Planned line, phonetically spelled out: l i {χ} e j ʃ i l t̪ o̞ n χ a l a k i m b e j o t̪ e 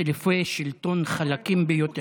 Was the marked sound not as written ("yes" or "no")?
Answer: yes